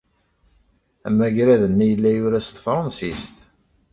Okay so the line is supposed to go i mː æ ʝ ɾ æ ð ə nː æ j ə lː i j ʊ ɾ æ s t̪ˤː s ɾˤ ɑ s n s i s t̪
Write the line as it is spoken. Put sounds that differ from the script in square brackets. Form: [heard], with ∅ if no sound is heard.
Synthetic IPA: [æ] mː æ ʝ ɾ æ ð ə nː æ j ə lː [æ] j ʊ ɾ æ s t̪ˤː [f] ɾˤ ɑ [∅] n s i s t̪